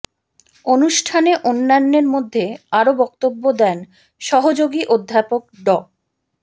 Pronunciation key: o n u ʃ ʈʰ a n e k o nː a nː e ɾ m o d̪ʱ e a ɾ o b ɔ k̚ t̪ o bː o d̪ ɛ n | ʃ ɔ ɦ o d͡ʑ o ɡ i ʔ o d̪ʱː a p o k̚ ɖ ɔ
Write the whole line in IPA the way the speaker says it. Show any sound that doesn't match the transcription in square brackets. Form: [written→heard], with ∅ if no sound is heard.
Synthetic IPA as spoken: o n u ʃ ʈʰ a n e [k→ʔ] o nː a nː e ɾ m o [d̪ʱ→d̪ʱː] e a ɾ o b ɔ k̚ t̪ o bː o d̪ ɛ n | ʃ ɔ ɦ o d͡ʑ o ɡ i ʔ o d̪ʱː a p o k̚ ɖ ɔ